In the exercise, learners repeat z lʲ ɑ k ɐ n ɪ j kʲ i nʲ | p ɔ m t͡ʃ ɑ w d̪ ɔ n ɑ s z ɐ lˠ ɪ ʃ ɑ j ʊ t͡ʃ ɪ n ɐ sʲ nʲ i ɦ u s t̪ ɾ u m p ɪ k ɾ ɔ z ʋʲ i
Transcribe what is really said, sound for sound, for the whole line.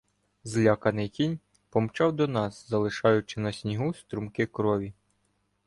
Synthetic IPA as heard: z lʲ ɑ k ɐ n ɪ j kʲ i nʲ | p ɔ m t͡ʃ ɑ w d̪ ɔ n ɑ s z ɐ lˠ ɪ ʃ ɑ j ʊ t͡ʃ ɪ n ɐ sʲ nʲ i ɦ u s t̪ ɾ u m k ɪ k ɾ ɔ ʋʲ i